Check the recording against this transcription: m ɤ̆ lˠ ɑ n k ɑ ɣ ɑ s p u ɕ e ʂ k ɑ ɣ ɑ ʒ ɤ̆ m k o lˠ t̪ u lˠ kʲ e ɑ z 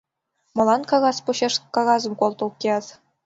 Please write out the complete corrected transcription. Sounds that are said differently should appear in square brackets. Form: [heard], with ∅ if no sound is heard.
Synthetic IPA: m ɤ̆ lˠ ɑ n k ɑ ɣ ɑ s p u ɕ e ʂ k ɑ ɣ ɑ [z] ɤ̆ m k o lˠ t̪ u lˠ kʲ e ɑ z